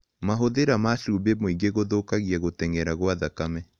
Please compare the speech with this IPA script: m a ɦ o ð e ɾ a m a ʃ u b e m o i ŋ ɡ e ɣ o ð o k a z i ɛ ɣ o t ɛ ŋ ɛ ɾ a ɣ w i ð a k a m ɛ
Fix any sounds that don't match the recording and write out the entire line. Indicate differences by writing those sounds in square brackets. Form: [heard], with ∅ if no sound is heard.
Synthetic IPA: m a ɦ o ð e ɾ a m a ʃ u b e m o i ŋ ɡ e ɣ o ð o k a [ɣ] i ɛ ɣ o t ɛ ŋ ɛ ɾ a ɣ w [a] ð a k a m ɛ